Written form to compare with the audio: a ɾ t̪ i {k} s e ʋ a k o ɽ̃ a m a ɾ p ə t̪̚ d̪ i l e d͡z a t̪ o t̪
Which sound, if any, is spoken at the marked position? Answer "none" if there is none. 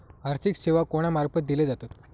k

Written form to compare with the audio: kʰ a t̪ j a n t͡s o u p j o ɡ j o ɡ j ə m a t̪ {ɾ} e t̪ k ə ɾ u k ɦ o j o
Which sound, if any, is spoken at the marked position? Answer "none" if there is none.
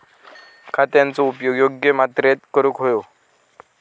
ɾ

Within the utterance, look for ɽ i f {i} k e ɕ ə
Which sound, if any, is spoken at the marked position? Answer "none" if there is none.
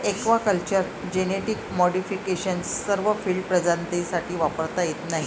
i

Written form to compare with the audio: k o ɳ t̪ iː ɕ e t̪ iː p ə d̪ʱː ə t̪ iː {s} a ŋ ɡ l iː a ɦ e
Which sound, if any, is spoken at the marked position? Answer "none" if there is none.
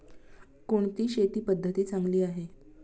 t͡s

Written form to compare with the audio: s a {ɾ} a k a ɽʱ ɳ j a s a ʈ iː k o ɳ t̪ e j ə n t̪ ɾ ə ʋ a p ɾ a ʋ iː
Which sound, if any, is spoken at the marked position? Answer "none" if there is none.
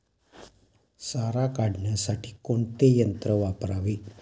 ɾ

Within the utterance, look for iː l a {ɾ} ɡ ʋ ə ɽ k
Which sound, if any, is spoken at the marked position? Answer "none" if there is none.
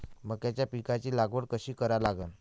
none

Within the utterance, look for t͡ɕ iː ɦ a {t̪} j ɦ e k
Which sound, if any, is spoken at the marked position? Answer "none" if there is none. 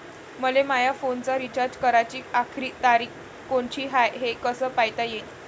none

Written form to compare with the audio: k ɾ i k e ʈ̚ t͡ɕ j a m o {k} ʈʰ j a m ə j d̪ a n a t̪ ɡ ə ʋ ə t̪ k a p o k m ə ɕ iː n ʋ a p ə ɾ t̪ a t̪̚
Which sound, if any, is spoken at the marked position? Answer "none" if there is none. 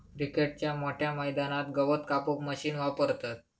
none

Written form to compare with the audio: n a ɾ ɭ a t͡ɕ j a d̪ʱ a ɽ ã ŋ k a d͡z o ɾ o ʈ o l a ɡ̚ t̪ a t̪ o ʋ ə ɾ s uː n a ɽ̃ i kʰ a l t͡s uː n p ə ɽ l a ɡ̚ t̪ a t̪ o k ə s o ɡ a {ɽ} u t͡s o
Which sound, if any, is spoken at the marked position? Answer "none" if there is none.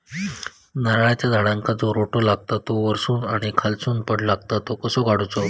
ɽ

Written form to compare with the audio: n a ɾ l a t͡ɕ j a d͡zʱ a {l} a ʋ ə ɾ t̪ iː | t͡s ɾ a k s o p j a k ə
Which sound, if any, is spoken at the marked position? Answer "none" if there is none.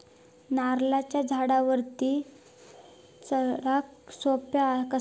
ɽ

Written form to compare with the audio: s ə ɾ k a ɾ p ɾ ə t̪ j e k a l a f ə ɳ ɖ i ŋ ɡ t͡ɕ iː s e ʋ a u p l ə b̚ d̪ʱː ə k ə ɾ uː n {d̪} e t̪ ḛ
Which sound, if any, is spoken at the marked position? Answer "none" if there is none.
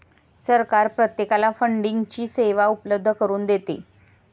d̪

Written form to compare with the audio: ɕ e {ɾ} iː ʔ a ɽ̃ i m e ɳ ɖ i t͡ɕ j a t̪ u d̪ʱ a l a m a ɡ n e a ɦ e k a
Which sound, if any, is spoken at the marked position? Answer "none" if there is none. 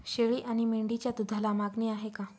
ɭ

